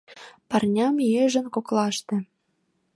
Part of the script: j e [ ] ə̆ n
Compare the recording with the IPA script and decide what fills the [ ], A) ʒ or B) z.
A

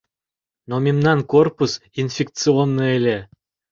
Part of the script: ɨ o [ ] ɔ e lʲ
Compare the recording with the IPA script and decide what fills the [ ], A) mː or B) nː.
B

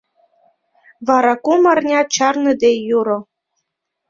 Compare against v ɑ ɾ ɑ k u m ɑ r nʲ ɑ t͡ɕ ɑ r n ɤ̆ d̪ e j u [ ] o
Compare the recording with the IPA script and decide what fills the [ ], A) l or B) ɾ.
B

